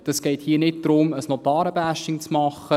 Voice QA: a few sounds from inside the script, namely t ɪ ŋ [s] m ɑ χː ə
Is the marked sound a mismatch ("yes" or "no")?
yes